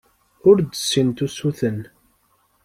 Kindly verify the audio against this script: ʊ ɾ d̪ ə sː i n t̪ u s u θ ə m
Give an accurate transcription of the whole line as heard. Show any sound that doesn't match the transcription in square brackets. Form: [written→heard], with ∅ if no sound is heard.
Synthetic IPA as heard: ʊ ɾ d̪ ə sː i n t̪ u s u θ ə [m→n]